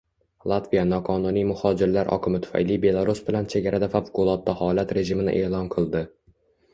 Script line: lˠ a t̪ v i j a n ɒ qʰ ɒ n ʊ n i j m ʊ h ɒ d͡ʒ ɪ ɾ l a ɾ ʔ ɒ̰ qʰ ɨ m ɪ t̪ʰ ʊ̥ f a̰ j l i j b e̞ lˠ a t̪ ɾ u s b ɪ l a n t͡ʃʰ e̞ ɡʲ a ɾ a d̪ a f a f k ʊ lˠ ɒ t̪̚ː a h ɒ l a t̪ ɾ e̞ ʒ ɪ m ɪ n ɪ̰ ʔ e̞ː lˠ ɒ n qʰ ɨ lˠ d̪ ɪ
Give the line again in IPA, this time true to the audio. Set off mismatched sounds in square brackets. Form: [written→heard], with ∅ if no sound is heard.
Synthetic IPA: lˠ a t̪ v i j a n ɒ qʰ ɒ n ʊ n i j m ʊ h ɒ d͡ʒ ɪ ɾ l a ɾ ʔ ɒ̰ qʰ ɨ m ɪ t̪ʰ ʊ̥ f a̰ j l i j b e̞ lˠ a [t̪→∅] ɾ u s b ɪ l a n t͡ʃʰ e̞ ɡʲ a ɾ a d̪ a f a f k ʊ lˠ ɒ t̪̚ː a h ɒ l a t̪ ɾ e̞ ʒ ɪ m ɪ n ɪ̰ ʔ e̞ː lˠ ɒ n qʰ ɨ lˠ d̪ ɪ